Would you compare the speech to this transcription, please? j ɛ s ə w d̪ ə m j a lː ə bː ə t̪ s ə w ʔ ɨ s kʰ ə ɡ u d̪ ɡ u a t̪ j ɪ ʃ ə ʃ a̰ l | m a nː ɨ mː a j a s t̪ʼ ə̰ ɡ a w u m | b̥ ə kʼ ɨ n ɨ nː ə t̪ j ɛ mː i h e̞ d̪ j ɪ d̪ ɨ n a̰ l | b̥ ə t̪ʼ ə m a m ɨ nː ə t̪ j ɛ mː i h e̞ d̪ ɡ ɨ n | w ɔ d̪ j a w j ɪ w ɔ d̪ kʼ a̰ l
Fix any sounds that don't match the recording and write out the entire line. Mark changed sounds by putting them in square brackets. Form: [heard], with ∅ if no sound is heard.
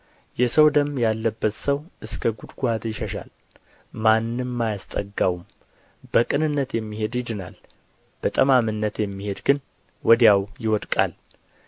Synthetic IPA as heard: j ɛ s ə w d̪ ə m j a lː ə bː ə t̪ s ə w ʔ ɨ s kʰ ə ɡ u d̪ ɡ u a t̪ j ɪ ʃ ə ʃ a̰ l | m a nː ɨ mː a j a s t̪ʼ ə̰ ɡ a w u m | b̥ ə kʼ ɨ n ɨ nː ə t̪ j ɛ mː i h e̞ d̪ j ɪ d̪ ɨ n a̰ l | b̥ ə t̪ʼ ə m a m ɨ nː ə t̪ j ɛ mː i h e̞ d̪ ɡ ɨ n | w ɔ d̪ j a w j ɪ w ɔ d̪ kʼ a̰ l